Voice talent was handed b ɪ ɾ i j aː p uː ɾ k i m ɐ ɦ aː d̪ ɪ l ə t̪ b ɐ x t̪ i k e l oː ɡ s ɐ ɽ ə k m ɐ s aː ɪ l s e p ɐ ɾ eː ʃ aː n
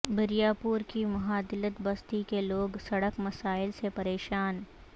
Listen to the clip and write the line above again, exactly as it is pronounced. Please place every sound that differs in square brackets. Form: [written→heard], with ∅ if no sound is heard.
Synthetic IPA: b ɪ ɾ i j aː p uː ɾ k i m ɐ ɦ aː d̪ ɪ l ə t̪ b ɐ [x→s] t̪ i k e l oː ɡ s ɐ ɽ ə k m ɐ s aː ɪ l s e p ɐ ɾ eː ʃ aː n